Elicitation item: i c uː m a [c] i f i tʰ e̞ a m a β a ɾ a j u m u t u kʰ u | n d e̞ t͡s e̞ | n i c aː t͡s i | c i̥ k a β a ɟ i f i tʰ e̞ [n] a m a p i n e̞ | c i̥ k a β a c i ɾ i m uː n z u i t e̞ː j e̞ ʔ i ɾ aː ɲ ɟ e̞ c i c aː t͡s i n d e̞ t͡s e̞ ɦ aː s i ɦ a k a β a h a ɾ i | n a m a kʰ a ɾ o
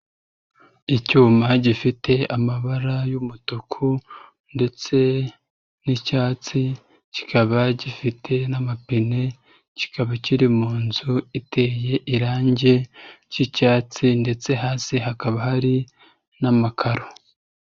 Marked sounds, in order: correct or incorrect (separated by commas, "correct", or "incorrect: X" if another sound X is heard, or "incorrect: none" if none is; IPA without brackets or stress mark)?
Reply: incorrect: ɟ, correct